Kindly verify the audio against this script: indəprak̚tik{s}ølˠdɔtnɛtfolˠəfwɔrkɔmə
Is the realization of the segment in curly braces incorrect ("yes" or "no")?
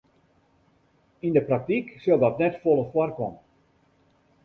no